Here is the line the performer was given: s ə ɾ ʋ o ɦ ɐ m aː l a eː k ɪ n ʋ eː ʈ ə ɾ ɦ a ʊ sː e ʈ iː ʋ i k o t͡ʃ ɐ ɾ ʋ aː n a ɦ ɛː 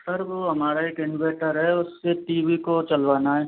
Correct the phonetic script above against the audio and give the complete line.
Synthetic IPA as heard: s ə ɾ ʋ o ɦ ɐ m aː ɾ a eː k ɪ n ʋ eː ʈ ə ɾ ɦ ɛ ʊ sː e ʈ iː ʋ i k o t͡ʃ ɐ l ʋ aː n a ɦ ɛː